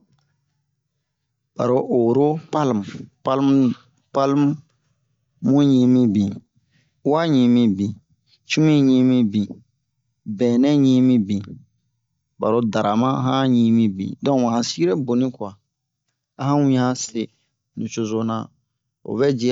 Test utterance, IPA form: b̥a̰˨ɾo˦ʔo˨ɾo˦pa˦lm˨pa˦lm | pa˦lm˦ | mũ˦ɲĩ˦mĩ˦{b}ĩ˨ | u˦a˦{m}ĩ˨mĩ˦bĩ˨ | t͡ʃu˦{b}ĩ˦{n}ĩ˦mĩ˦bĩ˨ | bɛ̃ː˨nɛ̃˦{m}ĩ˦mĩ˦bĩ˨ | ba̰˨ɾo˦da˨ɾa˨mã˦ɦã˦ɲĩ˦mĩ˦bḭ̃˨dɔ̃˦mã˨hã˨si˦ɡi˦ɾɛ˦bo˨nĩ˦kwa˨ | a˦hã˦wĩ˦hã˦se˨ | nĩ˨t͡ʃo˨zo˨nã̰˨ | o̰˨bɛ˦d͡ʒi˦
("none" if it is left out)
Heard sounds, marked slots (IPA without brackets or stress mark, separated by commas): b, ɲ, m, ɲ, ɲ